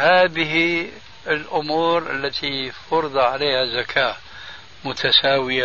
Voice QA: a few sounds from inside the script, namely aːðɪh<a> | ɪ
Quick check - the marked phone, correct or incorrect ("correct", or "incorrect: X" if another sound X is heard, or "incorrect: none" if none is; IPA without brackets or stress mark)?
incorrect: i